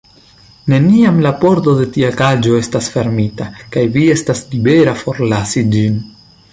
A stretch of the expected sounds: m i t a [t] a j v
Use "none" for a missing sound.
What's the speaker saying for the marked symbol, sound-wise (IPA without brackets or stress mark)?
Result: k